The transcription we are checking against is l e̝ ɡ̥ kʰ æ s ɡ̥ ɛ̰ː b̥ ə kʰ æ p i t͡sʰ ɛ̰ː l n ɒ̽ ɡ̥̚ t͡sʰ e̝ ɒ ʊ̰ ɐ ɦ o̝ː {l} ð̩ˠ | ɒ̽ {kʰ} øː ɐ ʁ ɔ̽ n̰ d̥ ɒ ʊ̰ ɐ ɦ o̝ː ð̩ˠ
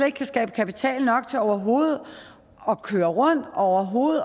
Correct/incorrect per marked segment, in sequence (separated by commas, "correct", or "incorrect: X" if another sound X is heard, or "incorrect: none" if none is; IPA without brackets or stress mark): incorrect: none, correct